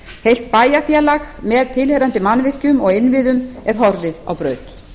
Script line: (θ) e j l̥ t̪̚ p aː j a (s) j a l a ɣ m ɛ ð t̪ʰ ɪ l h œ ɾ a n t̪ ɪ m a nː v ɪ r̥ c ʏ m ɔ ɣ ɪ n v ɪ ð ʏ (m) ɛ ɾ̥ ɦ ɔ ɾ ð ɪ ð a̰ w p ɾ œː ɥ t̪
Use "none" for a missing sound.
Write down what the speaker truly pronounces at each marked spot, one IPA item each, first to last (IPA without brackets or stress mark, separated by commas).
h, f, m